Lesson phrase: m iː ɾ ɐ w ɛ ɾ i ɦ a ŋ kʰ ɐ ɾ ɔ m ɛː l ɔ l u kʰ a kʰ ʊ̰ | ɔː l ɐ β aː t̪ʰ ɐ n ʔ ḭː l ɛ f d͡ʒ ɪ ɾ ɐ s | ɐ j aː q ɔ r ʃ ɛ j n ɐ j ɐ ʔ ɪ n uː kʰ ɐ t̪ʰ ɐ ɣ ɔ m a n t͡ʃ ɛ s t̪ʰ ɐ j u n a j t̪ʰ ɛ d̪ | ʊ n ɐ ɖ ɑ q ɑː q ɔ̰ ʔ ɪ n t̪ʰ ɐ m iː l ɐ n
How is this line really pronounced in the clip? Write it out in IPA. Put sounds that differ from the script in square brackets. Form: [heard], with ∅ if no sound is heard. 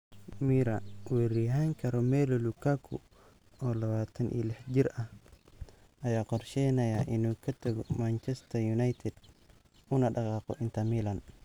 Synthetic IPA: m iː ɾ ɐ w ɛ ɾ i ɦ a ŋ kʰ ɐ ɾ ɔ m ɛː l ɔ l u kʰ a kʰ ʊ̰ | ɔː l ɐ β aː t̪ʰ ɐ n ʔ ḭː l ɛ [ħ] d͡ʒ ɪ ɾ ɐ [h] | ɐ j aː q ɔ r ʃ ɛ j n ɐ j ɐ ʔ ɪ n uː kʰ ɐ t̪ʰ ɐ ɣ ɔ m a n t͡ʃ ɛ s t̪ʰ ɐ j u n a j t̪ʰ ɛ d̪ | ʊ n ɐ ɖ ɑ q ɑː q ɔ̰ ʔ ɪ n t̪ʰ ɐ m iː l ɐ n